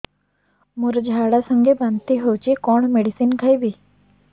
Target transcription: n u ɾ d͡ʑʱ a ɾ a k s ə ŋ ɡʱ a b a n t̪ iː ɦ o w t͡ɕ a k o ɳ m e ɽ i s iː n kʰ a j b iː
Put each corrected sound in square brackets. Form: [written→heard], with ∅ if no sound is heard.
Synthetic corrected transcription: [n→m] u ɾ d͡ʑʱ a [ɾ→ɽ] a [k→∅] s ə ŋ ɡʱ [a→e] b a n t̪ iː ɦ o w t͡ɕ [a→i] k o ɳ m e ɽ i s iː n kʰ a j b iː